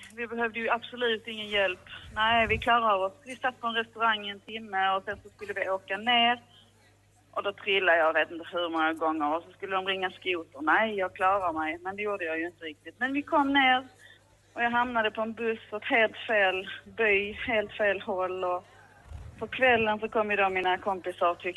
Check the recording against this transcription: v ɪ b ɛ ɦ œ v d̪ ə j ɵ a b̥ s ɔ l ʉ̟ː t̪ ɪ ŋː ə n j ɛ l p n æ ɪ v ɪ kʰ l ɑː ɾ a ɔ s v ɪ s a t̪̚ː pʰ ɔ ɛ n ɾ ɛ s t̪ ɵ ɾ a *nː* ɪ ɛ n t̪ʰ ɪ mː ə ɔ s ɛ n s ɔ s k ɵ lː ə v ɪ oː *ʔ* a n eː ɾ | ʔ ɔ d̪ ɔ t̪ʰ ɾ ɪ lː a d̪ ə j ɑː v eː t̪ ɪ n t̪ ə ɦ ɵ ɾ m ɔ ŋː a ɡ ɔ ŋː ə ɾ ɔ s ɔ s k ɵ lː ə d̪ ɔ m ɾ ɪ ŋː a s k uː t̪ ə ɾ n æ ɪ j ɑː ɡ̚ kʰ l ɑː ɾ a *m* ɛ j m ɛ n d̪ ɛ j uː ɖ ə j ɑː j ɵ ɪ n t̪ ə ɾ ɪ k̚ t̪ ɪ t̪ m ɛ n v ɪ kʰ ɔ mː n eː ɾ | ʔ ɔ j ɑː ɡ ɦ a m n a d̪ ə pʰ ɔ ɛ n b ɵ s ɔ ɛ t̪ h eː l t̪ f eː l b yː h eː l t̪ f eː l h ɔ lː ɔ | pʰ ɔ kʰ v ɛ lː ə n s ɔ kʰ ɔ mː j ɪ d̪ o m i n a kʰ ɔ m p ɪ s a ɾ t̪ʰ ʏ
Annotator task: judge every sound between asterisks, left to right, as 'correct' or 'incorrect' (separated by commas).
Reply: incorrect, incorrect, correct